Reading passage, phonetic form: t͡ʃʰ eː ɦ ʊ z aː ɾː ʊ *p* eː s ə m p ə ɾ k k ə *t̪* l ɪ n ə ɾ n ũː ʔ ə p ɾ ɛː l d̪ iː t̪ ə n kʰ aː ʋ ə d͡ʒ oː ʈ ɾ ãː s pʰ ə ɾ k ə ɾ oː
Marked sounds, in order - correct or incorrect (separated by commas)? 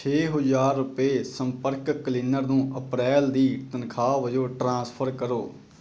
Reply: correct, incorrect